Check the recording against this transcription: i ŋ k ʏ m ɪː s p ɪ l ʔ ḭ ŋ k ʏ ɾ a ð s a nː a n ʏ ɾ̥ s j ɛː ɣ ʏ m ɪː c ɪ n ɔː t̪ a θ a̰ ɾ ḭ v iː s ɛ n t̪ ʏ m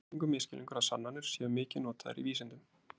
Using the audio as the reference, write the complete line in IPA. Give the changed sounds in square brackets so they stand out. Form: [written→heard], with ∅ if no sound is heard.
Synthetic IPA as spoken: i ŋ k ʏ m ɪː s [p→c] ɪ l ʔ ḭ ŋ k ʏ ɾ a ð s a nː a n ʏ ɾ̥ s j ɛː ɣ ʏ m ɪː c ɪ n ɔː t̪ a [θ→ð] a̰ ɾ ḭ v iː s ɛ n t̪ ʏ m